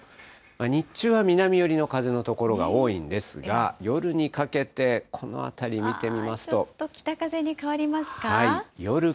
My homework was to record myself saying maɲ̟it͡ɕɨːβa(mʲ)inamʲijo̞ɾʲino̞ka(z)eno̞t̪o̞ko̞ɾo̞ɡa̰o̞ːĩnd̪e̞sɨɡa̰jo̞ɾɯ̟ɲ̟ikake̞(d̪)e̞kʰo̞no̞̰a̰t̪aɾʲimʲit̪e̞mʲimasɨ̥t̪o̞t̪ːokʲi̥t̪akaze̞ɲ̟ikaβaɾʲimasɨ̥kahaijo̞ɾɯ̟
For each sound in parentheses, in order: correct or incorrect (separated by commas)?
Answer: correct, correct, incorrect